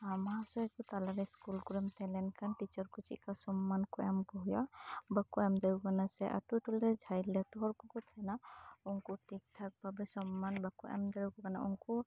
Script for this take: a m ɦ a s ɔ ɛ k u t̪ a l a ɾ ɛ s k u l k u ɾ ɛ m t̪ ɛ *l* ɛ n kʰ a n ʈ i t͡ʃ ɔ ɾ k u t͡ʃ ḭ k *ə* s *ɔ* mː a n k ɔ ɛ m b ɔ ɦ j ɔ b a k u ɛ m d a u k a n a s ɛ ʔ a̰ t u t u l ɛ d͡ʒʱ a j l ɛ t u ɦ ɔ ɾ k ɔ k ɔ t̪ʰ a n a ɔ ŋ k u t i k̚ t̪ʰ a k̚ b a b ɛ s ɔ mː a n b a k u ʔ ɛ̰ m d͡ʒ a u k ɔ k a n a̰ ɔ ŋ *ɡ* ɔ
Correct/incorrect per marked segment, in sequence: correct, incorrect: a, correct, incorrect: k

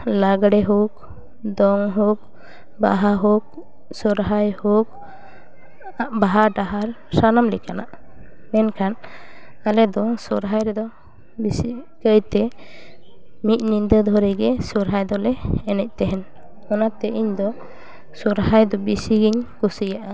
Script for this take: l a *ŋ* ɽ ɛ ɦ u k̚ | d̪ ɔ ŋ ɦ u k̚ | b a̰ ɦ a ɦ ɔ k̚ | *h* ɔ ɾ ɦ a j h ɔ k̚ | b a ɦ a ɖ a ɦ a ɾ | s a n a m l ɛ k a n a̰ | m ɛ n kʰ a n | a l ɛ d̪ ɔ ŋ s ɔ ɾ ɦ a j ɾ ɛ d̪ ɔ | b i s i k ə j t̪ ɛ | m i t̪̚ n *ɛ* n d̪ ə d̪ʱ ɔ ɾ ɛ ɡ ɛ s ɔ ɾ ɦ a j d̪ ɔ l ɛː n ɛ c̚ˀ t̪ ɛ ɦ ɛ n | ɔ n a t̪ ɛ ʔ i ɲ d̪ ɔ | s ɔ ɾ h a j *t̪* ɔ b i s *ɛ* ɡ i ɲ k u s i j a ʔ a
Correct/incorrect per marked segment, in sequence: incorrect: ɡ, incorrect: s, incorrect: i, incorrect: d̪, incorrect: i

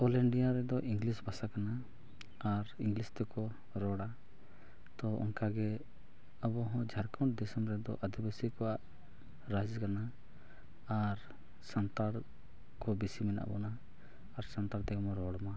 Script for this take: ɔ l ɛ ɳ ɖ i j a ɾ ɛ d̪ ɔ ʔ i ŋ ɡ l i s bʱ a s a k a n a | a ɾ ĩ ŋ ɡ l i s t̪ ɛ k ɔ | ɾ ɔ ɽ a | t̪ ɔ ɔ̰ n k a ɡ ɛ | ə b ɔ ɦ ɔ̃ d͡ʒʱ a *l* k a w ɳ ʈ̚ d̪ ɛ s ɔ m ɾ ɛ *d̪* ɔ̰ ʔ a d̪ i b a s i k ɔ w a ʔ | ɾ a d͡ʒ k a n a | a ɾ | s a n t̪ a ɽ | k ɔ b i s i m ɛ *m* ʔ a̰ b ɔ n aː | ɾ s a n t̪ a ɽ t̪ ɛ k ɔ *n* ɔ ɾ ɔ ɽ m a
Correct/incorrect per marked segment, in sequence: incorrect: ɾ, correct, incorrect: n, incorrect: m

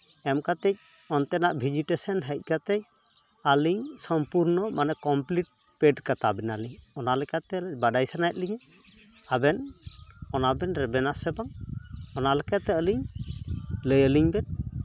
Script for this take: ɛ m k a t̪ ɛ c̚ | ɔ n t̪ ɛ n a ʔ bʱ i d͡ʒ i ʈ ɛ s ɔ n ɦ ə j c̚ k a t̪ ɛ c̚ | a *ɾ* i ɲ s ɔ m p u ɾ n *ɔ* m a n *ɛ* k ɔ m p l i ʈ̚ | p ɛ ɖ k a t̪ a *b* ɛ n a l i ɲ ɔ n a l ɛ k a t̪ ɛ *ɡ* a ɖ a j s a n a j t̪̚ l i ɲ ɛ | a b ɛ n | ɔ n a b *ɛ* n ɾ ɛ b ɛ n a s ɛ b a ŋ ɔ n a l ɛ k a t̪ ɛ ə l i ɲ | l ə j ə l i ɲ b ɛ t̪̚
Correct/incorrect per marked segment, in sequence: incorrect: l, correct, correct, correct, incorrect: b, correct

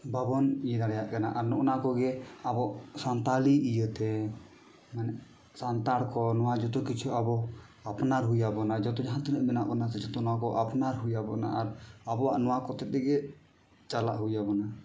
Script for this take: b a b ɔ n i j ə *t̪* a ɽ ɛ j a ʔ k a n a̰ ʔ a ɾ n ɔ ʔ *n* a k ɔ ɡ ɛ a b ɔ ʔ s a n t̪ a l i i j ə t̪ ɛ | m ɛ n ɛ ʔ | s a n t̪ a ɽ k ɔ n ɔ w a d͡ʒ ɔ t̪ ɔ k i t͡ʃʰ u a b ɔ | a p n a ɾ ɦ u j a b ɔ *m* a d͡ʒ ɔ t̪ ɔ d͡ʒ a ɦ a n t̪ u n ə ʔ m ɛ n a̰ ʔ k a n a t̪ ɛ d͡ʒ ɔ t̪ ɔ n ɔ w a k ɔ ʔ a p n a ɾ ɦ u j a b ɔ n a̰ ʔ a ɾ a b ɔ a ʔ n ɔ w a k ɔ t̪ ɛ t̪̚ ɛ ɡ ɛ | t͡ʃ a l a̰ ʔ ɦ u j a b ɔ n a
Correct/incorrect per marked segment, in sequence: incorrect: d̪, correct, incorrect: n

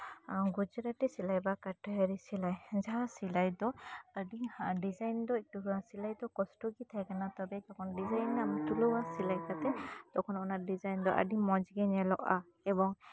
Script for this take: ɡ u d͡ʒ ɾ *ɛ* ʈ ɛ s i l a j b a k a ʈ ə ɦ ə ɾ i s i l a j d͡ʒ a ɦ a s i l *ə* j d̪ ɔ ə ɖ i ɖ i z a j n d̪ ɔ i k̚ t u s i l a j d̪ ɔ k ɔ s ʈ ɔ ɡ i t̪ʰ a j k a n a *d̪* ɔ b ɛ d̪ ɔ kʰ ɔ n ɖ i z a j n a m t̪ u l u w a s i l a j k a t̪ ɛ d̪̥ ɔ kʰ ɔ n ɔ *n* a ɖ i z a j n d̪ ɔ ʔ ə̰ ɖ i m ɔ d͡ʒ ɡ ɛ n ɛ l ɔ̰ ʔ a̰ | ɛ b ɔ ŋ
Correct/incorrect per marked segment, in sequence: incorrect: a, incorrect: a, incorrect: t̪, correct

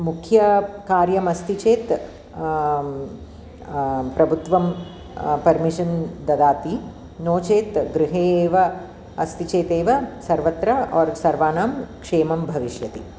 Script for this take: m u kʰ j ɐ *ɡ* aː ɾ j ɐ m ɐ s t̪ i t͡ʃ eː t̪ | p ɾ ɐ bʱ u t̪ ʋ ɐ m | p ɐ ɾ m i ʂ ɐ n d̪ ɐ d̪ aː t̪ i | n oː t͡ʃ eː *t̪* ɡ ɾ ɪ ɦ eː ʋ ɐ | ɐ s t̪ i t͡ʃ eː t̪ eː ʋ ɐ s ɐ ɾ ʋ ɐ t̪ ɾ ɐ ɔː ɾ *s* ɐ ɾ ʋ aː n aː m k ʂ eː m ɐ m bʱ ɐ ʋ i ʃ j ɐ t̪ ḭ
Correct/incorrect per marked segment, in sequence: incorrect: k, correct, correct

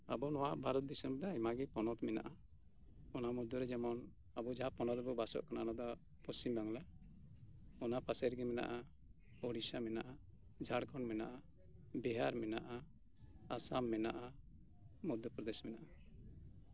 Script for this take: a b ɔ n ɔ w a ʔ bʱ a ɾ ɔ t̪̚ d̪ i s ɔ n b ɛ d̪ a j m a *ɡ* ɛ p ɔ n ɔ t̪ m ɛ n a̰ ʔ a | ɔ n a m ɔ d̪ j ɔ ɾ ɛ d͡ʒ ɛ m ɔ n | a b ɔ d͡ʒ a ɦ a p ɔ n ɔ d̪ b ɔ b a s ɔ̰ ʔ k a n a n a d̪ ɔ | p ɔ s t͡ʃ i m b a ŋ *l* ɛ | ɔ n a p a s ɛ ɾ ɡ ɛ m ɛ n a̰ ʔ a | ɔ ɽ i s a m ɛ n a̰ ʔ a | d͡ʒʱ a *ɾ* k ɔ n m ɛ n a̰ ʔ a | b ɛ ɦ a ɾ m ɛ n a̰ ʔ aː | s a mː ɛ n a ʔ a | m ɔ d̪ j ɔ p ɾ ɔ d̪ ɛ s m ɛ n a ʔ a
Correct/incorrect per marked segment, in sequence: correct, correct, incorrect: ɽ

